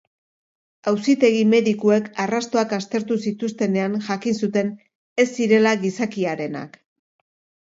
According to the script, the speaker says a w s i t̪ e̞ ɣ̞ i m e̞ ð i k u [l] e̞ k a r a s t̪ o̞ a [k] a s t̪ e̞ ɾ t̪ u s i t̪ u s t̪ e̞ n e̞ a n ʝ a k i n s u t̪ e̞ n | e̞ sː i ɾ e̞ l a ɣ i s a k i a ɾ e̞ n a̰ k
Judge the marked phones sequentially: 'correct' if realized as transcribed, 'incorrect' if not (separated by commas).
incorrect, correct